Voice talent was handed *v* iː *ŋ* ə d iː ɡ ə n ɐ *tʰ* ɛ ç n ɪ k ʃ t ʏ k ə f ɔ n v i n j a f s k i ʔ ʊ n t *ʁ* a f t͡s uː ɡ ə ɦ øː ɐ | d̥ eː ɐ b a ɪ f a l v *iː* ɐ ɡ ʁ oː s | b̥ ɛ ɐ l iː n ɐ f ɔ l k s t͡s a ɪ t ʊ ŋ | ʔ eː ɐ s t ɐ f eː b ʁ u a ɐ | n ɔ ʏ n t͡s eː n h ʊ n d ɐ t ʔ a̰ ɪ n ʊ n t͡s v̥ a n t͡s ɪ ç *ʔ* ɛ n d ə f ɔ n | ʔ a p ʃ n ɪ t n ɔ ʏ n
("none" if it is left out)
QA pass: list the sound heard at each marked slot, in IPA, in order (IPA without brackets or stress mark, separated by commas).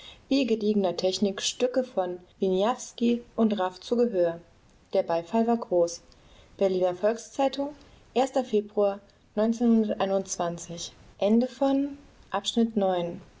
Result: v, ɡ, tʰ, ʁ, aː, ʔ